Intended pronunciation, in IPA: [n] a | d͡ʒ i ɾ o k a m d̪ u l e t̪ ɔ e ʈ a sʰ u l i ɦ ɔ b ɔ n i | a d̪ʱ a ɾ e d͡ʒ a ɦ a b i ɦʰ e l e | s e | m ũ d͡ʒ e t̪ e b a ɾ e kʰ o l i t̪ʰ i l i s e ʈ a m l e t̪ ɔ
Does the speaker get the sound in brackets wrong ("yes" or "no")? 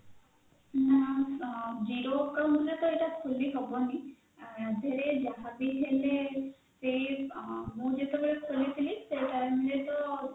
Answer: no